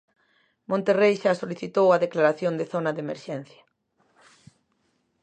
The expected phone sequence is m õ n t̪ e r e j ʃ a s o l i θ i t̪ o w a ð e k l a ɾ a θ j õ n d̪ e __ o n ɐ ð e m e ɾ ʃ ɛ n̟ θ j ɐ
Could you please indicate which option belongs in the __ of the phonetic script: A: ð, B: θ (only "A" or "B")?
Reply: B